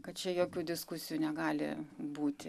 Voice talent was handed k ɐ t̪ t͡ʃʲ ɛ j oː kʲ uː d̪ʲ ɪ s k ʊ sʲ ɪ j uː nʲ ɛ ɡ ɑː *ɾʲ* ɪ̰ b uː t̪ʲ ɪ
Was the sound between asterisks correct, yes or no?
no